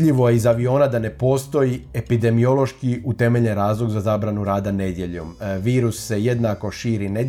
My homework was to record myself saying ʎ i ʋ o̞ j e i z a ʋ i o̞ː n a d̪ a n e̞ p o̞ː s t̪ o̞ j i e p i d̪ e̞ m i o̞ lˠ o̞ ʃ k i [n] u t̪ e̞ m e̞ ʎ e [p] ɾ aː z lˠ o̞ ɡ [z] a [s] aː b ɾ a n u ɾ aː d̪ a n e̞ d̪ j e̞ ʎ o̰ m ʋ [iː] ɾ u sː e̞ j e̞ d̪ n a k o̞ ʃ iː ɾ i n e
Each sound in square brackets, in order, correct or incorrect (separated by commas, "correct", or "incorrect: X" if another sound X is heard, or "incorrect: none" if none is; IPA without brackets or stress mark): incorrect: none, incorrect: none, correct, incorrect: z, correct